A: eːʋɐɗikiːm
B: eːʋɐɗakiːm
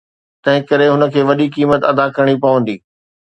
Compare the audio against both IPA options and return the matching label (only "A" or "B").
A